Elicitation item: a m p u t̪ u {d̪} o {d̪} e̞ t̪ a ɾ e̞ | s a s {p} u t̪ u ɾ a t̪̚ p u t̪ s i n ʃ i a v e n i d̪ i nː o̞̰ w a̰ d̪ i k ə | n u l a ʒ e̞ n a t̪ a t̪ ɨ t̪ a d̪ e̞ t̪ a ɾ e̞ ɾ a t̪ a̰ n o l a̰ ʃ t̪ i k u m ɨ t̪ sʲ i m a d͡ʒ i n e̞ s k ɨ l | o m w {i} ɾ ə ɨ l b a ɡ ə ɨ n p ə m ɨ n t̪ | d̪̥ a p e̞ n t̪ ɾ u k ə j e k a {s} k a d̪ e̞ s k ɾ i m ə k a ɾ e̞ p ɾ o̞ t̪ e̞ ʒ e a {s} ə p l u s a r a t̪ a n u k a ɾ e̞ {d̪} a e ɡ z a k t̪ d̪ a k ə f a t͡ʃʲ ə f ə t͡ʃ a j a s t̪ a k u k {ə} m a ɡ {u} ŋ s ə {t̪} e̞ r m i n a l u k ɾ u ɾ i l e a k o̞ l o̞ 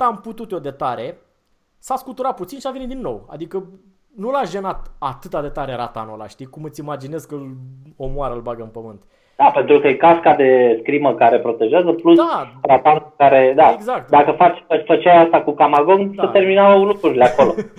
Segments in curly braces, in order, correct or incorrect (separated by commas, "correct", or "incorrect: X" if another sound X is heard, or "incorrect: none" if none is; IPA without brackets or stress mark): incorrect: t̪, correct, incorrect: k, incorrect: a, correct, incorrect: z, correct, incorrect: a, incorrect: o, correct